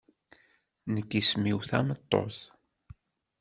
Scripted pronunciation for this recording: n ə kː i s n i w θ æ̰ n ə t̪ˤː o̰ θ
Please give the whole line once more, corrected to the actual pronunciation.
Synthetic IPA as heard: n ə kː i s m i w θ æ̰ m ə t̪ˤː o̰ θ